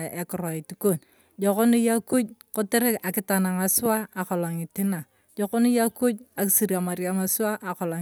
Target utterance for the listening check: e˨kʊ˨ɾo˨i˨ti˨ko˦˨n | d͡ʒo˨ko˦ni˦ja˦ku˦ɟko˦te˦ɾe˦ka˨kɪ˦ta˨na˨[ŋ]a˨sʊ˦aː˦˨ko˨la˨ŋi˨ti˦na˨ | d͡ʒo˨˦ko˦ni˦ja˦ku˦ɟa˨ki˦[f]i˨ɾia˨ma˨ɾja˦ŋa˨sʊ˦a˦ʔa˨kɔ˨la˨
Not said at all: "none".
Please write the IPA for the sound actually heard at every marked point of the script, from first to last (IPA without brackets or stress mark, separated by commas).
ŋ, s